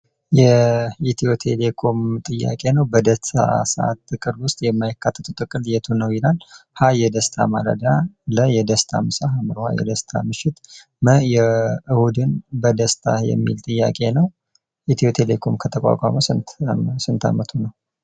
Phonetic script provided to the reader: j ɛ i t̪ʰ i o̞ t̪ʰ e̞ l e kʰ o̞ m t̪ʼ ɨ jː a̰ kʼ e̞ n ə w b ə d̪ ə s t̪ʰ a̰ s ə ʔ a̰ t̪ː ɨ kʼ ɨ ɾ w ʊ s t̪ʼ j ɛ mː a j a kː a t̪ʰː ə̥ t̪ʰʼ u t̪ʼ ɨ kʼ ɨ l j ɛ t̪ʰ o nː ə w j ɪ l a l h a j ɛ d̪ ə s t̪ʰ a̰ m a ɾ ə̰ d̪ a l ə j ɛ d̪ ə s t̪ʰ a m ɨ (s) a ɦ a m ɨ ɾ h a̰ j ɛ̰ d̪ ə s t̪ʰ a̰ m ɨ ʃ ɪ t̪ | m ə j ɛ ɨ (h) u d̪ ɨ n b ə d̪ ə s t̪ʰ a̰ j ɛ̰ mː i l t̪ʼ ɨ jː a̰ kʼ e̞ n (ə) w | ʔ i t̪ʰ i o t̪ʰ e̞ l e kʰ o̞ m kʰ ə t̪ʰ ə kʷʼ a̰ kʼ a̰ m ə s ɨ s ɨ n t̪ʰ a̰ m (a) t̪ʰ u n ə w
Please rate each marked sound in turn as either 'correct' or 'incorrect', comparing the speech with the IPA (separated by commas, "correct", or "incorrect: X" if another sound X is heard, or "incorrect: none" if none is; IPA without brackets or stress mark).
correct, correct, correct, incorrect: ə